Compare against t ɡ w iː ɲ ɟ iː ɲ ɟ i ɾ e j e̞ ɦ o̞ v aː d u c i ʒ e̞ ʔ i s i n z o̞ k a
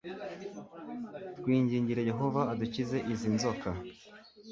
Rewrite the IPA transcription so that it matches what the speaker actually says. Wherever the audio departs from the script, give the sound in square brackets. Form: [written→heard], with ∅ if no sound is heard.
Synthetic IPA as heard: t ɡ w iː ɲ ɟ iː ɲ ɟ i ɾ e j e̞ ɦ o̞ v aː d u c i [ʒ→z] e̞ ʔ i [s→z] i n z o̞ k a